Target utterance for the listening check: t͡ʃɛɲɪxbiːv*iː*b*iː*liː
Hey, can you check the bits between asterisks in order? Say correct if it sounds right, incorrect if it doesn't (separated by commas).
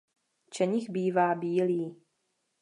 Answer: incorrect, correct